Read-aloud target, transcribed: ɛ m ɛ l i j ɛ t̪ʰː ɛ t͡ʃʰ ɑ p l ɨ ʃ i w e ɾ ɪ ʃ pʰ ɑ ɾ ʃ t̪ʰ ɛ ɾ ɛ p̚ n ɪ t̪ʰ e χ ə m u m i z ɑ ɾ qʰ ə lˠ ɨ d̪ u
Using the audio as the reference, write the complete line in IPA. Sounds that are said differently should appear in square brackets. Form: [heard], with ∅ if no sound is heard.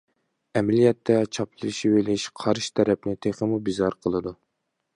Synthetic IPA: ɛ m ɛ l i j ɛ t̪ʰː ɛ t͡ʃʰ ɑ p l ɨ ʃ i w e [l] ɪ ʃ [qʰ] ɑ ɾ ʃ t̪ʰ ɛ ɾ ɛ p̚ n ɪ t̪ʰ e χ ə m u [b] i z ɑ ɾ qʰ ə lˠ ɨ d̪ u